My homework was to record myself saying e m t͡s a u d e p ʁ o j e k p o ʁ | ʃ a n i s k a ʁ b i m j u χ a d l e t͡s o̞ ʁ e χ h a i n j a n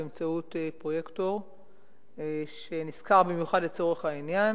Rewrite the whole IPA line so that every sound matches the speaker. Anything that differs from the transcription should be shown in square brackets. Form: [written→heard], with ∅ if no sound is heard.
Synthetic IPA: e m t͡s a u [d→t] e p ʁ o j e k [p→t] o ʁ | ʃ [a→e] n i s k a ʁ b i m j u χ a d l e t͡s o̞ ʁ e χ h a i n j a n

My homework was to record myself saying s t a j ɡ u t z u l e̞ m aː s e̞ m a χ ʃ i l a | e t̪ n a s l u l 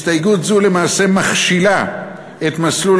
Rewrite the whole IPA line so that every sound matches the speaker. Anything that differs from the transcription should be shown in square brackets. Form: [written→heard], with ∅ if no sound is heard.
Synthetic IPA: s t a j ɡ u t z u l e̞ m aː s e̞ m a χ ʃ i l a | e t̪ [n→m] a s l u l

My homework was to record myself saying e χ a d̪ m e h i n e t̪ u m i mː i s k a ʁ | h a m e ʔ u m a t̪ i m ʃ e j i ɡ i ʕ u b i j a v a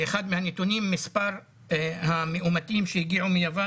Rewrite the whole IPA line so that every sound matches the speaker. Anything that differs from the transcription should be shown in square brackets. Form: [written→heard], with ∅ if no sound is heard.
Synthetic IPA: e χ a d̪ m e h [i→a] n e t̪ u [m→n] i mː i s [k→p] a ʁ | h a m e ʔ u m a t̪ i m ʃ e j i ɡ i ʕ u [b→m] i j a v a

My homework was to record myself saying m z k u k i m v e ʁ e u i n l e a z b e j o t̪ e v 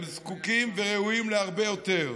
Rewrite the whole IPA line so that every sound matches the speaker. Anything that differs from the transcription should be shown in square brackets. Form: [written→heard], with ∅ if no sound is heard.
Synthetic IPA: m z k u k i m v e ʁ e u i [n→m] l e a [z→ʁ] b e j o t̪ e [v→ʁ]

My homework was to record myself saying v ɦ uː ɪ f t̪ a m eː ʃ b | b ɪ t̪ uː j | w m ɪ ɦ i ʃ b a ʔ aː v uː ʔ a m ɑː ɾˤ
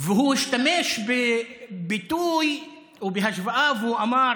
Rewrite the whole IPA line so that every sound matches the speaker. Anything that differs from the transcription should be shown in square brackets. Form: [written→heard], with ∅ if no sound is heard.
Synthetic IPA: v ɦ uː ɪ [f→ʃ] t̪ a m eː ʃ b | b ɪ t̪ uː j | w [m→b] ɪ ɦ [i→a] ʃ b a ʔ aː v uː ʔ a m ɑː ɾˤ

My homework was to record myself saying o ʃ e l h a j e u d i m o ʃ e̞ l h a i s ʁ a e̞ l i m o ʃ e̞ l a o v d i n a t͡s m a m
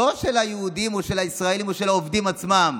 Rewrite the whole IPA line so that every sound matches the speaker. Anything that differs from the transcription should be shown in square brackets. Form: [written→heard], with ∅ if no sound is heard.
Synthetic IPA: o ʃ e l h a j e u d i m o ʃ e̞ l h a i s ʁ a e̞ l i m o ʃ e̞ l a o v d i [n→m] a t͡s m a m

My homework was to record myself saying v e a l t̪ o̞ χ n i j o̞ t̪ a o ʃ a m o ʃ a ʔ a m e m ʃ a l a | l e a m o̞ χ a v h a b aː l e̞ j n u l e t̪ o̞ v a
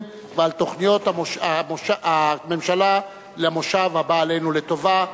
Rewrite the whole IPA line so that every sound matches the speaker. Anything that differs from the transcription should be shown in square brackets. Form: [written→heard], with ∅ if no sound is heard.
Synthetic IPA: v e a l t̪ o̞ χ n i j o̞ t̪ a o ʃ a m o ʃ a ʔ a m e m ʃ a l a | l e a m o̞ [χ→ʃ] a v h a b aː l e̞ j n u l e t̪ o̞ v a

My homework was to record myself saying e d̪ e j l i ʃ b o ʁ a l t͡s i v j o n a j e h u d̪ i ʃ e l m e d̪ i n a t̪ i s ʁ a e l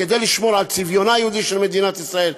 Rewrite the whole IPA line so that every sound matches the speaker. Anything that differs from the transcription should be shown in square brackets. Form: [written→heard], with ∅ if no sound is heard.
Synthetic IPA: e d̪ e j l i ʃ [b→m] o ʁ a l t͡s i v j o n a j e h u d̪ i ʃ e l m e d̪ i n a t̪ i s ʁ a e l

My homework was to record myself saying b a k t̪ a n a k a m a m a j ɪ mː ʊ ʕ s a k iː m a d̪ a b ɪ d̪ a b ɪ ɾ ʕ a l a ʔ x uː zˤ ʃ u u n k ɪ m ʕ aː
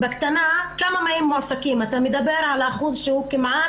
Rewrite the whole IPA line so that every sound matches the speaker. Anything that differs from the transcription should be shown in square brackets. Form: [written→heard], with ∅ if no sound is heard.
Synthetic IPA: b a k t̪ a n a k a m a m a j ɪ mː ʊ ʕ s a k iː m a [d̪→t̪] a [b→m] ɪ d̪ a b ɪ ɾ ʕ a l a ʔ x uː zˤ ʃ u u [n→∅] k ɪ m ʕ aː

